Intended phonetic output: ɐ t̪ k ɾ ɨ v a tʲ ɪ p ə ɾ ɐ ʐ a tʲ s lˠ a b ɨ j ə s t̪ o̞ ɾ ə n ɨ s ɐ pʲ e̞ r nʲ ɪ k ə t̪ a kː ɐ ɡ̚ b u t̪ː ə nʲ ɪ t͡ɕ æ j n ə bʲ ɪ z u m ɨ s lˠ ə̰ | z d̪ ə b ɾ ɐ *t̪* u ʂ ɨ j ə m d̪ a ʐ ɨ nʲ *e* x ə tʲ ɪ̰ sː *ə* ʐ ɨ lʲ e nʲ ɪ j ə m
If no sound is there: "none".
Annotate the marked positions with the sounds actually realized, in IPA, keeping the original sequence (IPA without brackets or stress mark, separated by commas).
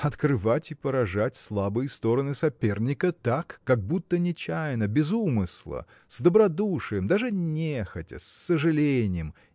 d̪, e, ə